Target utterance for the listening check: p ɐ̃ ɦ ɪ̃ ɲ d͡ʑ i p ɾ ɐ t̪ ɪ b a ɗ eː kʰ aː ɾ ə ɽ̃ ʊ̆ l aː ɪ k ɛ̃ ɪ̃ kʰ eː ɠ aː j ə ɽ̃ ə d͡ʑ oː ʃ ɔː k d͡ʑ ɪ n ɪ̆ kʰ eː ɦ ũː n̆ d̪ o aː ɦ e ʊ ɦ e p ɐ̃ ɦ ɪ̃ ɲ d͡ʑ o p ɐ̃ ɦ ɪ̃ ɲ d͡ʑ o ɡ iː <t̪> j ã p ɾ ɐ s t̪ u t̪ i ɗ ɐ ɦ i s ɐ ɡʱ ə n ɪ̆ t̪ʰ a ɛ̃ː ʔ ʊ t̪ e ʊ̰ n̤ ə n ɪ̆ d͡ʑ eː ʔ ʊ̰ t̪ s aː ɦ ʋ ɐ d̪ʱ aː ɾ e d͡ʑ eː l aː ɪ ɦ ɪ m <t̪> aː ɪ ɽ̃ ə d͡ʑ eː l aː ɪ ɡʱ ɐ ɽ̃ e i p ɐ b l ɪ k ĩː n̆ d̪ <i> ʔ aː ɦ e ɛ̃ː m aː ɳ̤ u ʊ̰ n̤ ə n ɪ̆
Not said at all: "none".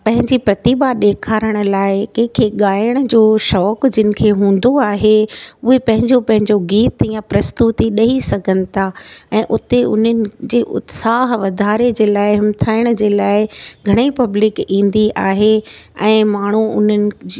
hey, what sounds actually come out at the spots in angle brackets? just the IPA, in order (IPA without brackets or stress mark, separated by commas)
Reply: t̪, t̪ʰ, i